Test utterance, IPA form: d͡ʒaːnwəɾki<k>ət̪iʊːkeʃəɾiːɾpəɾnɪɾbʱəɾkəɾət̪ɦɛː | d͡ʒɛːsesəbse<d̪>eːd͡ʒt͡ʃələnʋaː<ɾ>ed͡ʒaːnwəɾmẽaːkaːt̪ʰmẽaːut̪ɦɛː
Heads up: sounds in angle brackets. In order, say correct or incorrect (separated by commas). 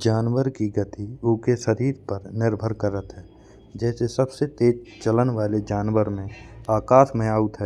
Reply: incorrect, incorrect, incorrect